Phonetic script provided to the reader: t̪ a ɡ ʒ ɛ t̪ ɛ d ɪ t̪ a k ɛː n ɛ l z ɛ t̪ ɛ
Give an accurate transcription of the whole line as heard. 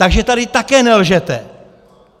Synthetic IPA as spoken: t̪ a ɡ ʒ ɛ t̪ a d ɪ t̪ a k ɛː n ɛ l ʒ ɛ t̪ ɛ